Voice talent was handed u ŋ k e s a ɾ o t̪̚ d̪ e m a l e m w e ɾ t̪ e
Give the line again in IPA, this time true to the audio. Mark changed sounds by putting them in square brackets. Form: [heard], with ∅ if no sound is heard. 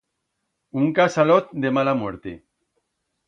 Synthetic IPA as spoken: u ŋ k [a] s a [l] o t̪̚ d̪ e m a l [a] m w e ɾ t̪ e